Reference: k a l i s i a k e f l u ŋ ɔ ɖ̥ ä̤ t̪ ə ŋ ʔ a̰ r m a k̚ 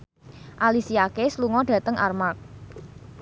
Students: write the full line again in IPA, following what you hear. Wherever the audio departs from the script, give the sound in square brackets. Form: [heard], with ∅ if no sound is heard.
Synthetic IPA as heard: [ʔ] a l i s i a k e [s] l u ŋ ɔ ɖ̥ ä̤ t̪ ə ŋ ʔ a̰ r m a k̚